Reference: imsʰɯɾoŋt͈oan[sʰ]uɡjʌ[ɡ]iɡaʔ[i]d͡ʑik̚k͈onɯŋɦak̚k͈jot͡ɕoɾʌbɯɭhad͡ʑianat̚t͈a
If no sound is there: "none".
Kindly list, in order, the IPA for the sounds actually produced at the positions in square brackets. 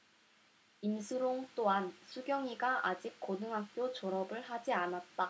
sʰ, ŋ, a

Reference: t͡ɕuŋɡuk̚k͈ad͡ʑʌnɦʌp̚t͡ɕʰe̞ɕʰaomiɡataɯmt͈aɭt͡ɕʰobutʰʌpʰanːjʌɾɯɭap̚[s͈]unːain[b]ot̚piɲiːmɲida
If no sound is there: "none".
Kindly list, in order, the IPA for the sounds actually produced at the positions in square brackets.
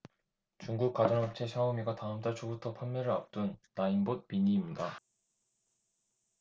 t͈, b

